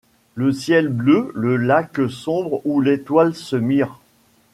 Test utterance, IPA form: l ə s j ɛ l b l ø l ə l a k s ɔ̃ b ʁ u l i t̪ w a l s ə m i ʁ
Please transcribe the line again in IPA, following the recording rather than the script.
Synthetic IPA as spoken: l ə s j ɛ l b l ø l ə l a k s ɔ̃ b ʁ u l e t̪ w a l s ə m i ʁ

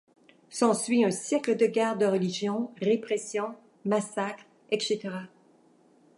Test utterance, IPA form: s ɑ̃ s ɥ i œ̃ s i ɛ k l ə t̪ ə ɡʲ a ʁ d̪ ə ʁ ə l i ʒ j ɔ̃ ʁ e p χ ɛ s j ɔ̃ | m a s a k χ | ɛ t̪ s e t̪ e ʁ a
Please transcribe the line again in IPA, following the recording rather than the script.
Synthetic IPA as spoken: s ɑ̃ s ɥ i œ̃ s j ɛ k l ə d̪ ə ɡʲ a ʁ d̪ ə ʁ ə l i ʒ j ɔ̃ ʁ e p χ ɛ s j ɔ̃ | m a s a k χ | ɛ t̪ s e t̪ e ʁ a

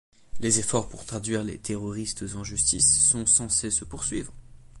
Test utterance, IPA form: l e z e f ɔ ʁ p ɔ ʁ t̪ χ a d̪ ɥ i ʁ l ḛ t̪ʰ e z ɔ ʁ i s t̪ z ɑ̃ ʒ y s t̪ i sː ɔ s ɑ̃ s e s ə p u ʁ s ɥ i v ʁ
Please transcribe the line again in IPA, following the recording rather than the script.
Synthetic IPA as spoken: l e z e f ɔ ʁ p u ʁ t̪ χ a d̪ ɥ i ʁ l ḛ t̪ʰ e ʁ ɔ ʁ i s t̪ z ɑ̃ ʒ y s t̪ i sː ɔ̃ s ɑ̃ s e s ə p u ʁ s ɥ i v ʁ

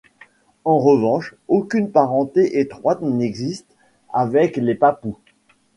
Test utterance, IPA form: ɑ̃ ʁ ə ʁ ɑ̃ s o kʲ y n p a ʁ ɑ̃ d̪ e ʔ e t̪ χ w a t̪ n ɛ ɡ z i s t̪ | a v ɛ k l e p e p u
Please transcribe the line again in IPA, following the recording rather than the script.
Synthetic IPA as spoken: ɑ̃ ʁ ə v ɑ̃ ʃ o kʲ y n p a ʁ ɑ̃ t̪ e ʔ e t̪ χ w a t̪ n ɛ ɡ z i s t̪ | a v ɛ k l e p a p u

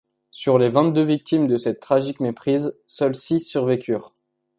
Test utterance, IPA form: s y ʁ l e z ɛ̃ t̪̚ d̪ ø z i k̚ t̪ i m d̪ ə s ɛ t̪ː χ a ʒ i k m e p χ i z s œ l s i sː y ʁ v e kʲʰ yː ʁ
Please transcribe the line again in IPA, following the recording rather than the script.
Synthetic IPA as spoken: s y ʁ l e v ɛ̃ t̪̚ d̪ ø v i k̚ t̪ i m d̪ ə s ɛ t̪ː χ a ʒ i k m e p χ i z s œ l s i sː y ʁ v e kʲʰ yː ʁ

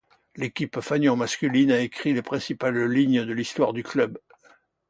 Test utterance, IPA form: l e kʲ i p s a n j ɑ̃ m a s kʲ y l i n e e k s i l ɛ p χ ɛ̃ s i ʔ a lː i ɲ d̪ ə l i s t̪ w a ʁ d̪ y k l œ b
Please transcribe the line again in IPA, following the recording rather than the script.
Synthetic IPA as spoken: l e kʲ i p f a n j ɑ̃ m a s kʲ y l i n a e k χ i l e p χ ɛ̃ s i p a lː i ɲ d̪ ə l i s t̪ w a ʁ d̪ y k l œ b

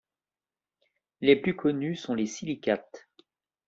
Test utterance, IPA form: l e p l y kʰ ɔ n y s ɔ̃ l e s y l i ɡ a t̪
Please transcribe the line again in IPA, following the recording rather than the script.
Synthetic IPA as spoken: l e p l y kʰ ɔ n y s ɔ̃ l e s i l i k a t̪

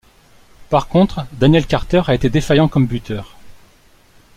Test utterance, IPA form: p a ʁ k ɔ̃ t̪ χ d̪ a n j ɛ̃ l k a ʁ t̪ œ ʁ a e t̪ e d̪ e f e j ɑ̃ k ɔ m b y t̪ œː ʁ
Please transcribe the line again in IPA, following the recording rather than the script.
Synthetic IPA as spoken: p a ʁ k ɔ̃ t̪ χ d̪ a n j ɛ l k a ʁ t̪ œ ʁ a e t̪ e d̪ e f a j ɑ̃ k ɔ m b y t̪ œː ʁ

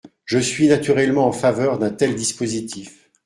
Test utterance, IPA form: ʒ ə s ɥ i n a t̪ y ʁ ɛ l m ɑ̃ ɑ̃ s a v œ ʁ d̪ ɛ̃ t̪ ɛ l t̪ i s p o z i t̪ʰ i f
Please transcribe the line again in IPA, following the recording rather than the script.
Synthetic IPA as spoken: ʒ ə s ɥ i n a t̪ y ʁ ɛ l m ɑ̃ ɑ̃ f a v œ ʁ d̪ ɛ̃ t̪ ɛ l d̪ i s p o z i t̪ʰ i f

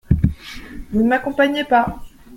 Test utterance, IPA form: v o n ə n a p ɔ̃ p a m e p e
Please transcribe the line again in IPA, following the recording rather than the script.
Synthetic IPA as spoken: v u n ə m a k ɔ̃ p a ɲ e p a

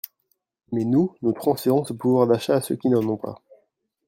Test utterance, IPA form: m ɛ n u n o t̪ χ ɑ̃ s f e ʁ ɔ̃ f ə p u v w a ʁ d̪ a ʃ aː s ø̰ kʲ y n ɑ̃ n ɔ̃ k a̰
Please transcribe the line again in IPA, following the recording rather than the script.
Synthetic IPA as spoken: m ɛ n u n o t̪ χ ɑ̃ s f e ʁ ɔ̃ s ə p u v w a ʁ d̪ a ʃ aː s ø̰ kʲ i n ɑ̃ n ɔ̃ p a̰

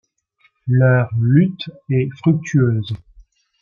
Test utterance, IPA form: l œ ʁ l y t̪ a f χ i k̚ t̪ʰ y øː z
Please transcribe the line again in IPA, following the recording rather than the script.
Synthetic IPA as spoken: l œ ʁ l y t̪ ɛ f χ y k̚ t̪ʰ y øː z

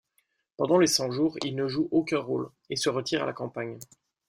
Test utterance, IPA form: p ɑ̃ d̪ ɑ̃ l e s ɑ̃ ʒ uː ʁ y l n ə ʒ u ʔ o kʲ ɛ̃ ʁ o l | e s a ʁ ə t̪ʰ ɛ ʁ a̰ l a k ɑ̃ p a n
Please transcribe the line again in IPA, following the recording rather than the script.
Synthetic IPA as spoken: p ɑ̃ d̪ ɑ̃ l e s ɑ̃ ʒ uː ʁ i l n ə ʒ u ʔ o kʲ ɛ̃ ʁ o l | e s ə ʁ ə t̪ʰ i ʁ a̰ l a k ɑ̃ p a ɲ

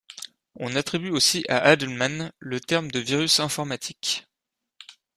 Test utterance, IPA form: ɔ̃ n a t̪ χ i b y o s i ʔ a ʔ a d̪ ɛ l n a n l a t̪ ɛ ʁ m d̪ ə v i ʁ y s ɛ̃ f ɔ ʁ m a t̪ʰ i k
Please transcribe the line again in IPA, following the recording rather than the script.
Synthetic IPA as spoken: ɔ̃ n a t̪ χ i b y o s i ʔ a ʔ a d̪ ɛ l m a n l ə t̪ ɛ ʁ m d̪ ə v i ʁ y s ɛ̃ f ɔ ʁ m a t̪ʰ i k

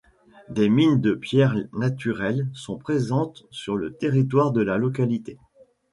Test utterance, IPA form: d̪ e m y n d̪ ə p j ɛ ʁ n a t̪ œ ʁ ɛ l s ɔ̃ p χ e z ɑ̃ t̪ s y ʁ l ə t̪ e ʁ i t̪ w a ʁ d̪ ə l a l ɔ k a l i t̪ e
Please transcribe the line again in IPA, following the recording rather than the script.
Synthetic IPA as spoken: d̪ e m i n d̪ ə p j ɛ ʁ n a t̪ y ʁ ɛ l s ɔ̃ p χ e z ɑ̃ t̪ s y ʁ l ə t̪ e ʁ i t̪ w a ʁ d̪ ə l a l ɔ k a l i t̪ e

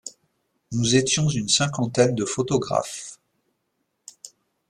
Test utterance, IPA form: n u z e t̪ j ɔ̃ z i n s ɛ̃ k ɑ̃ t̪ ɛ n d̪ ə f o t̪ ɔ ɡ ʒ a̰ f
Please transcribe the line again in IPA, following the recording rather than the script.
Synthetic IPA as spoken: n u z e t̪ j ɔ̃ z y n s ɛ̃ k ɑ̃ t̪ ɛ n d̪ ə f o t̪ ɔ ɡ ʁ a̰ f

